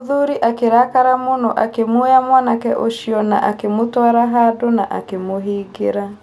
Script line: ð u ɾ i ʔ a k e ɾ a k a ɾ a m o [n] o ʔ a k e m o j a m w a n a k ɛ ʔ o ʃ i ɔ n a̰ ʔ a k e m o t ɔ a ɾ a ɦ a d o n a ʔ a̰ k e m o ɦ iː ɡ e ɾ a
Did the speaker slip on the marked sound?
no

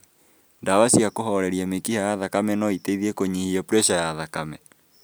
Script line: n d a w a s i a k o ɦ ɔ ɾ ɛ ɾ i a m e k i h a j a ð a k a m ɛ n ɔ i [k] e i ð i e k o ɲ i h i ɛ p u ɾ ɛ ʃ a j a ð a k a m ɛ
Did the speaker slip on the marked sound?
yes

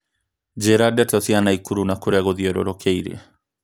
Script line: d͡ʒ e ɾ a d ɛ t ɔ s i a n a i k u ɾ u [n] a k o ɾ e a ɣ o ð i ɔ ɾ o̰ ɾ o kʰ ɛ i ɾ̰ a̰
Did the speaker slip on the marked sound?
no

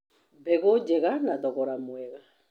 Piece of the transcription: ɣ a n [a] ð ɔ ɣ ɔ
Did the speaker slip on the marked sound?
no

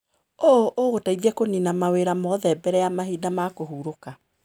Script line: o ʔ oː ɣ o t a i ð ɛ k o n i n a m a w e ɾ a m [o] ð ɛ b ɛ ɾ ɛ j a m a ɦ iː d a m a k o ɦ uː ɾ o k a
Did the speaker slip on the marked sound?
yes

